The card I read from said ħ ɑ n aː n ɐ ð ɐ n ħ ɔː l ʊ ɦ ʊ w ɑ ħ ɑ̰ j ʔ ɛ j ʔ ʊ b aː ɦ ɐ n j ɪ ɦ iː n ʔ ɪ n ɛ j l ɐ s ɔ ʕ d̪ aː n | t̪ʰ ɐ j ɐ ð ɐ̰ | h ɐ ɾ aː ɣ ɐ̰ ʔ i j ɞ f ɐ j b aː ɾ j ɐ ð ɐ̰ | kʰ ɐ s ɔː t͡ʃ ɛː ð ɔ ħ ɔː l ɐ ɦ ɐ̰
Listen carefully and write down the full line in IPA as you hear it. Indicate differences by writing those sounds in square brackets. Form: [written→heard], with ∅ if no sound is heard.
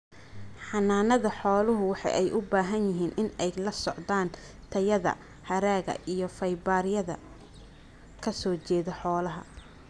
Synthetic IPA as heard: ħ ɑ n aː n ɐ ð ɐ [n→∅] ħ ɔː l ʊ ɦ ʊ w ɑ ħ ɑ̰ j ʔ ɛ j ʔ ʊ b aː ɦ ɐ n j ɪ ɦ iː n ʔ ɪ n ɛ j l ɐ s ɔ ʕ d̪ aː n | t̪ʰ ɐ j ɐ ð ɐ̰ | h ɐ ɾ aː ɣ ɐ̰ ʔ i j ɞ f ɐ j b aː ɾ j ɐ ð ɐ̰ | kʰ ɐ s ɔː t͡ʃ ɛː ð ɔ ħ ɔː l ɐ ɦ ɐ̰

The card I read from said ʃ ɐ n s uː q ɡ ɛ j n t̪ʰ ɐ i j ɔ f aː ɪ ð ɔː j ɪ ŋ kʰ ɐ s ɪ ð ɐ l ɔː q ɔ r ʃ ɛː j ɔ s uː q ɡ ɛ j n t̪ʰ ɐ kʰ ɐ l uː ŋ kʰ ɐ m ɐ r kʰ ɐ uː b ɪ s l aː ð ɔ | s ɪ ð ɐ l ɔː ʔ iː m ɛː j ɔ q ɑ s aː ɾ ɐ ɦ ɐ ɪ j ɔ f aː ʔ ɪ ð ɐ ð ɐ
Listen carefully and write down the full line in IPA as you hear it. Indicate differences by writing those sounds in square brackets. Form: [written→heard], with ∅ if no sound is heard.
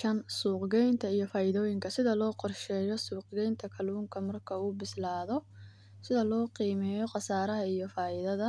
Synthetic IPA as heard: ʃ ɐ n s uː q ɡ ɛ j n t̪ʰ ɐ i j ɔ f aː ɪ ð ɔː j ɪ ŋ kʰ ɐ s ɪ ð ɐ l ɔː q ɔ r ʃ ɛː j ɔ s uː q ɡ ɛ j n t̪ʰ ɐ kʰ ɐ l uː ŋ kʰ ɐ m ɐ r kʰ ɐ uː b ɪ s l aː ð ɔ | s ɪ ð ɐ l ɔː [ʔ→q] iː m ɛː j ɔ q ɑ s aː ɾ ɐ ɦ ɐ [ɪ→i] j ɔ f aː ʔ ɪ ð ɐ ð ɐ

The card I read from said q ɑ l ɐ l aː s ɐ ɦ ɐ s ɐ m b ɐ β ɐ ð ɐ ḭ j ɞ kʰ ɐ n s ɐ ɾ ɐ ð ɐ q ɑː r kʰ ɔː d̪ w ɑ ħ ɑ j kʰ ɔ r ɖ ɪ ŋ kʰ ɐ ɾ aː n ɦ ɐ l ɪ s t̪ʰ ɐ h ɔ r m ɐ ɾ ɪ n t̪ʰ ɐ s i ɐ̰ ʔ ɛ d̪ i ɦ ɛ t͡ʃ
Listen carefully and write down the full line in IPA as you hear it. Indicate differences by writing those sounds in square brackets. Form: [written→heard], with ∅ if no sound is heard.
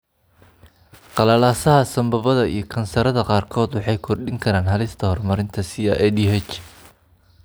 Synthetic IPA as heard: q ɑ l ɐ l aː s ɐ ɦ ɐ s ɐ m b ɐ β ɐ ð ɐ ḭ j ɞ kʰ ɐ n s ɐ ɾ ɐ ð ɐ q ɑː r kʰ ɔː d̪ w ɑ ħ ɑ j kʰ ɔ r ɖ ɪ ŋ kʰ ɐ ɾ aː n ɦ ɐ l ɪ s t̪ʰ ɐ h ɔ r m ɐ ɾ ɪ n t̪ʰ ɐ s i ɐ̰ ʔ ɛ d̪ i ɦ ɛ t͡ʃ

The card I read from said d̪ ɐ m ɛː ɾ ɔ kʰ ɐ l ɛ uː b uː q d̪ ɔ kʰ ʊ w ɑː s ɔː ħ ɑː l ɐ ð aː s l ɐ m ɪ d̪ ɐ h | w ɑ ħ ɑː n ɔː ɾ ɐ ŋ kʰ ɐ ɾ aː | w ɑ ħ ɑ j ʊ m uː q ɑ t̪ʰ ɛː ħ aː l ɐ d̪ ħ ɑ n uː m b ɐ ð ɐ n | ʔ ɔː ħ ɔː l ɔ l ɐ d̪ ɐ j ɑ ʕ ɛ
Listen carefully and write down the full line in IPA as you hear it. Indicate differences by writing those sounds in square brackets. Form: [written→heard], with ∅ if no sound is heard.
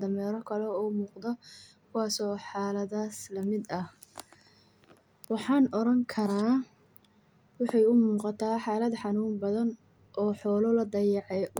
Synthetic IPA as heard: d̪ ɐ m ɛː ɾ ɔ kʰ ɐ l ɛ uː [b→m] uː q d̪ ɔ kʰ ʊ w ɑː s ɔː ħ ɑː l ɐ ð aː s l ɐ m ɪ d̪ ɐ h | w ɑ ħ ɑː n [ɔː→ɔ] ɾ ɐ ŋ kʰ ɐ ɾ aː | w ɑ ħ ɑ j ʊ m uː q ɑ t̪ʰ [ɛː→aː] ħ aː l ɐ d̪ ħ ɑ n uː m b ɐ ð ɐ n | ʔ ɔː ħ ɔː l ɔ l ɐ d̪ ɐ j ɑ ʕ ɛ

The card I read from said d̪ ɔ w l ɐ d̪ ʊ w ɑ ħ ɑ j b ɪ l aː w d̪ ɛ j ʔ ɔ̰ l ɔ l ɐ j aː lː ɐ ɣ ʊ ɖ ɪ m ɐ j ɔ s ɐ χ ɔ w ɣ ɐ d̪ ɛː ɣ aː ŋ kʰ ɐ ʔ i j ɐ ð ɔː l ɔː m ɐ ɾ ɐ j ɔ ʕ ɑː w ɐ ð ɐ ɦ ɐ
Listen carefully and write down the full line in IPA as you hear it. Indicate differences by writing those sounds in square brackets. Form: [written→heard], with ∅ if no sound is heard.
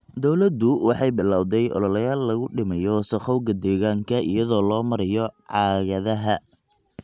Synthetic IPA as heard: d̪ ɔ w l ɐ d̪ ʊ w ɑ ħ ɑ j b ɪ l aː w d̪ ɛ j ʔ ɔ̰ l ɔ l ɐ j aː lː ɐ ɣ ʊ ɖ ɪ m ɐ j ɔ s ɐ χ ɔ w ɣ ɐ d̪ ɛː ɣ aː ŋ kʰ ɐ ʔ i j ɐ ð ɔː l ɔː m ɐ ɾ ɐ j ɔ ʕ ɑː [w→ɣ] ɐ ð ɐ ɦ ɐ

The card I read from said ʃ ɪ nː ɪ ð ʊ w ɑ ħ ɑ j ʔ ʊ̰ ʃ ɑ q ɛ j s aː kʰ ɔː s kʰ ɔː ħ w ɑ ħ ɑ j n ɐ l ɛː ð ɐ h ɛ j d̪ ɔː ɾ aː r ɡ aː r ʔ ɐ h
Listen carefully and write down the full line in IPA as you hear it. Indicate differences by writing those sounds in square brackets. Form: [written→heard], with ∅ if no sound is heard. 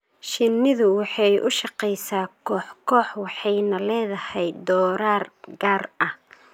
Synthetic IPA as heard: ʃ ɪ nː ɪ ð ʊ w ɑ ħ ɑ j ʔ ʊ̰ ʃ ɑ q ɛ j s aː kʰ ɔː [s→ħ] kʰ ɔː ħ w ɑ ħ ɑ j n ɐ l ɛː ð ɐ h ɛ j d̪ ɔː ɾ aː r ɡ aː r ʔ ɐ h

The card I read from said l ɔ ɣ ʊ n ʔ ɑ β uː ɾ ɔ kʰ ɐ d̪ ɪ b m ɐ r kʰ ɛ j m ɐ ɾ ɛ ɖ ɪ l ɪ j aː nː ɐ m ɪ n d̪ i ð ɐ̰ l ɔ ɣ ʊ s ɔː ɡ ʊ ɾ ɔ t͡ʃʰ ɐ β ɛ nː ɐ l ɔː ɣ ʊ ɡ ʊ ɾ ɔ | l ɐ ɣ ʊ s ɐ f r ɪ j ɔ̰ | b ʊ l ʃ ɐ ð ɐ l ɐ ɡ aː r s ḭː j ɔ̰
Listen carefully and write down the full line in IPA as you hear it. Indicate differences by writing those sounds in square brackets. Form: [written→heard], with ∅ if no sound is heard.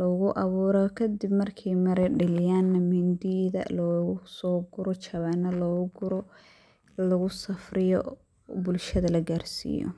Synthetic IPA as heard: l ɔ ɣ ʊ [n→∅] ʔ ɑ β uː ɾ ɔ kʰ ɐ d̪ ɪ b m ɐ r kʰ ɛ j m ɐ ɾ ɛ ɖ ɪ l ɪ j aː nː ɐ m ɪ n d̪ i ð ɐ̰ l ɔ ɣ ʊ s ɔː ɡ ʊ ɾ ɔ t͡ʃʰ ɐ β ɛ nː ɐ l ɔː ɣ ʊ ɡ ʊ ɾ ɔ | l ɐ ɣ ʊ s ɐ f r ɪ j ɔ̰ | b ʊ l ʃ ɐ ð ɐ l ɐ ɡ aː r s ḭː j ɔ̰

